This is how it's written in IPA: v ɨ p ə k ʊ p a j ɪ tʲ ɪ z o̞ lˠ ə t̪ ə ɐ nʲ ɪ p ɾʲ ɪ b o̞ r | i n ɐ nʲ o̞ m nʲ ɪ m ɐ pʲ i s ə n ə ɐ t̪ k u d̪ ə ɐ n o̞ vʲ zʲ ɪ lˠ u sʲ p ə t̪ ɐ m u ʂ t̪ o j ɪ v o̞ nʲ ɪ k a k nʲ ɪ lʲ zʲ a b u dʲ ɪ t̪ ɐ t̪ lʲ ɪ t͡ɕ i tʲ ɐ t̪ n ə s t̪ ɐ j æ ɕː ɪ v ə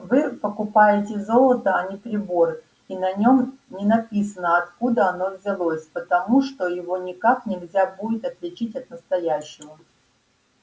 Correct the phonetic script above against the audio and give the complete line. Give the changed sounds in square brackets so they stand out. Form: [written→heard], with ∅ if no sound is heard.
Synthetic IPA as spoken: v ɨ p ə k ʊ p a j ɪ tʲ ɪ z o̞ lˠ ə t̪ ə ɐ nʲ ɪ p ɾʲ ɪ b o̞ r | i n ɐ nʲ o̞ m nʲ ɪ [m→n] ɐ pʲ i s ə n ə ɐ t̪ k u d̪ ə ɐ n o̞ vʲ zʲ ɪ lˠ [u→o] sʲ p ə t̪ ɐ m u ʂ t̪ o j ɪ v o̞ nʲ ɪ k a k nʲ ɪ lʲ zʲ a b u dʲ ɪ t̪ ɐ t̪ lʲ ɪ t͡ɕ i tʲ ɐ t̪ n ə s t̪ ɐ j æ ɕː ɪ v ə